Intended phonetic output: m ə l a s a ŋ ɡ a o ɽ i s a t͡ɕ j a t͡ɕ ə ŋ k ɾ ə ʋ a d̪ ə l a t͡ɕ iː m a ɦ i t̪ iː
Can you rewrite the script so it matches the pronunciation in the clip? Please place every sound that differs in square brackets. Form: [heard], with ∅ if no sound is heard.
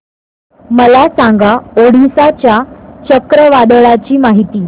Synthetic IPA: m ə l a s a ŋ ɡ a o ɽ i s a t͡ɕ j a t͡ɕ ə [∅] k ɾ ə ʋ a d̪ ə [ɭ] a t͡ɕ iː m a ɦ i t̪ iː

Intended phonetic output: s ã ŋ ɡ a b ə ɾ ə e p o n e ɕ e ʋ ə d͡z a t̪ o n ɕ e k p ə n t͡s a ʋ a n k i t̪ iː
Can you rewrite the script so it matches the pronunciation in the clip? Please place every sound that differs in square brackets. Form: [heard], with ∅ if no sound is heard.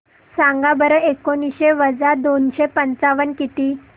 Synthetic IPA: s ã ŋ ɡ a b ə ɾ ə e [k] o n [i] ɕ e ʋ ə d͡z a [d̪] o n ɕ e [∅] p ə n t͡s a ʋ [ə] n k i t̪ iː

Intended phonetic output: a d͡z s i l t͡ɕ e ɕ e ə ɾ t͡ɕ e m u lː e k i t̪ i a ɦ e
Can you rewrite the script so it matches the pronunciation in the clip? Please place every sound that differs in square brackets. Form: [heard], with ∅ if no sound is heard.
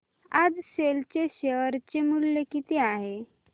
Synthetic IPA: a d͡z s [e] l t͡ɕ e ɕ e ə ɾ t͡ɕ e m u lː e k i t̪ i a ɦ e

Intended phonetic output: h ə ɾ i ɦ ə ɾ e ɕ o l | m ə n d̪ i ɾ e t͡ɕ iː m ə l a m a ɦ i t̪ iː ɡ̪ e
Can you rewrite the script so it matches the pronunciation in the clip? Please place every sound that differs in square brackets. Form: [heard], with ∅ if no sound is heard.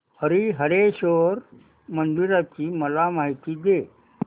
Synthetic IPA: h ə ɾ i ɦ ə ɾ e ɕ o [ɾ] | m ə n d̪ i ɾ [a] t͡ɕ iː m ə l a m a ɦ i t̪ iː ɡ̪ e

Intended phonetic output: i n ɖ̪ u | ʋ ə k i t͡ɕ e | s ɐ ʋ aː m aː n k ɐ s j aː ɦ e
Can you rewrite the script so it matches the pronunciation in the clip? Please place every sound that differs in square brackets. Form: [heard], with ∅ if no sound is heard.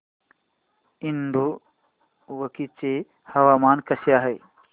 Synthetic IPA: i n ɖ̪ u | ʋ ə k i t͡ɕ e | [h] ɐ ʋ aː m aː n k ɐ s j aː ɦ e

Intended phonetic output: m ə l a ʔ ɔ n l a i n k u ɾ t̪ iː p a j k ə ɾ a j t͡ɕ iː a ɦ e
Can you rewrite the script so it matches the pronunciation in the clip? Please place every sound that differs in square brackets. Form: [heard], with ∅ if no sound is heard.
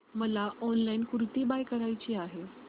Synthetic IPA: m ə l a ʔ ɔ n l a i n k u ɾ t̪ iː [b] a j k ə ɾ a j t͡ɕ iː a ɦ e

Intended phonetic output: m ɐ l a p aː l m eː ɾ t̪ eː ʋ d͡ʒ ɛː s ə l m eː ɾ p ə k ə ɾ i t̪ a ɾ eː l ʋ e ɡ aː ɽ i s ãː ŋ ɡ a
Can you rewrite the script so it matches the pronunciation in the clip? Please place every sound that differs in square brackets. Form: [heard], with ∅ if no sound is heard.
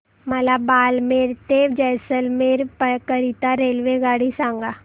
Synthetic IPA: m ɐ l a [b] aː l m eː ɾ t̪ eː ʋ d͡ʒ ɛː s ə l m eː ɾ p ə k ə ɾ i t̪ a ɾ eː l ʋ e ɡ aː ɽ i s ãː ŋ ɡ a

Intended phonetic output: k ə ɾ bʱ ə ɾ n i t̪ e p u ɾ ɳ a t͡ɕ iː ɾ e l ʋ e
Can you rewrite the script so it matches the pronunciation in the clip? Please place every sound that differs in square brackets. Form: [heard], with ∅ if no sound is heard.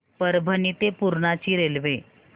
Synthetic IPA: [p] ə ɾ bʱ ə [∅] n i t̪ e p u ɾ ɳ a t͡ɕ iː ɾ e l ʋ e

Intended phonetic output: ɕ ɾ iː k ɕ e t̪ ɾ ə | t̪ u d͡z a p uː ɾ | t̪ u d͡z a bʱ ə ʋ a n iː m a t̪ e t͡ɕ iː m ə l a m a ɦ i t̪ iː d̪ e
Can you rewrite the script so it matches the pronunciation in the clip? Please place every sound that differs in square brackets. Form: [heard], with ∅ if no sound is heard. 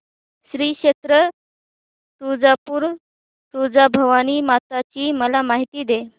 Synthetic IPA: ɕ ɾ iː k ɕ e t̪ ɾ ə | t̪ u d͡z a p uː ɾ | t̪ u d͡z a bʱ ə ʋ a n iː m a t̪ [a] t͡ɕ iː m ə l a m a ɦ i t̪ iː d̪ e

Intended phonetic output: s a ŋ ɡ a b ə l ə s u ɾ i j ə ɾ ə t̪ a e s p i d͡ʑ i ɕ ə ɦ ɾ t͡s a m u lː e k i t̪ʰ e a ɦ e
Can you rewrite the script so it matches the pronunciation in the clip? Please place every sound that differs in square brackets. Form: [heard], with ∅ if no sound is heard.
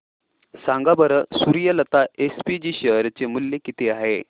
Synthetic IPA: s a ŋ ɡ a b ə [ɾ] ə s u ɾ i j ə [l] ə t̪ a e s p i d͡ʑ i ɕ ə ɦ ɾ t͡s [e] m u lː e k i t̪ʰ e a ɦ e

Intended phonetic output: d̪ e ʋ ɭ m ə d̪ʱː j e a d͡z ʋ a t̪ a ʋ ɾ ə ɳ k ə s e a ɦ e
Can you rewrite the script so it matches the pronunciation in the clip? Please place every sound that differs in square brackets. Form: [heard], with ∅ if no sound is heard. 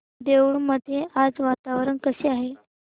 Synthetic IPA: d̪ e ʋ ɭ m ə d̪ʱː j e a d͡z ʋ a t̪ a ʋ ɾ ə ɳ k ə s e a ɦ e

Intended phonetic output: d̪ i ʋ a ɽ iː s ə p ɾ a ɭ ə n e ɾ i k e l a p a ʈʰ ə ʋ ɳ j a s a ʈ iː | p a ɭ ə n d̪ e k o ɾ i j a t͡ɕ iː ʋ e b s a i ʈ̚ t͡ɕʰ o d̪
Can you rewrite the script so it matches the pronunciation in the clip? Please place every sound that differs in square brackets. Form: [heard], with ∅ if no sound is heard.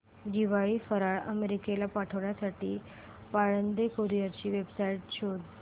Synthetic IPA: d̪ i ʋ a [ɭ] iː [f] ə [∅] ɾ a ɭ ə [m] e ɾ i k e l a p a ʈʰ ə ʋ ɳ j a s a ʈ iː | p a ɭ ə n d̪ e k o ɾ i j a t͡ɕ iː ʋ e b s a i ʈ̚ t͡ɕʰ o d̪

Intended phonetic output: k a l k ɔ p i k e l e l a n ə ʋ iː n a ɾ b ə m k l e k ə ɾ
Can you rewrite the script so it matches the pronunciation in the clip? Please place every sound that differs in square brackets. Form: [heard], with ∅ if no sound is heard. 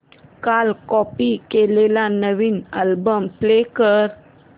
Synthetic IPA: k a l k ɔ p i k e l e l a n ə ʋ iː n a [l] b ə m [p] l e k ə ɾ

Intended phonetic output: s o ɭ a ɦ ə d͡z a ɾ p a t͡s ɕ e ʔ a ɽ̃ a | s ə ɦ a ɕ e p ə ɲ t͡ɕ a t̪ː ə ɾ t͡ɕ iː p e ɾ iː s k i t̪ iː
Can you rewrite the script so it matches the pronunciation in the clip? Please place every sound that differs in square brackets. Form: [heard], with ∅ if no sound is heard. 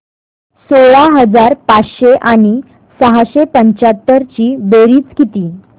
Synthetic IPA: s o ɭ a ɦ ə d͡z a ɾ p a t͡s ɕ e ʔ a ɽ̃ [i] | s ə ɦ a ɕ e p ə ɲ t͡ɕ a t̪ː ə ɾ t͡ɕ iː [b] e ɾ iː [t͡s] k i t̪ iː

